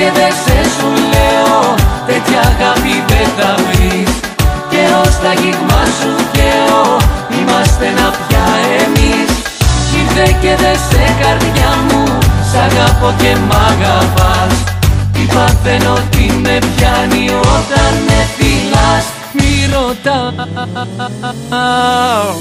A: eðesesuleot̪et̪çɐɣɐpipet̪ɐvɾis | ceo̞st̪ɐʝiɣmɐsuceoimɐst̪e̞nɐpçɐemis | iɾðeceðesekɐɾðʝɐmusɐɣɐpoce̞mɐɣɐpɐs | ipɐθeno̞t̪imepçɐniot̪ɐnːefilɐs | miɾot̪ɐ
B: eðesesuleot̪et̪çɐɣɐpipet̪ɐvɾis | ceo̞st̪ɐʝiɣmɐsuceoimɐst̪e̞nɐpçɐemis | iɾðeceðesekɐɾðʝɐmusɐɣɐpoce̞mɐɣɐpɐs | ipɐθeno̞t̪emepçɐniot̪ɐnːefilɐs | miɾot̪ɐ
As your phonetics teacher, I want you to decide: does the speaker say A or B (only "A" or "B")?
A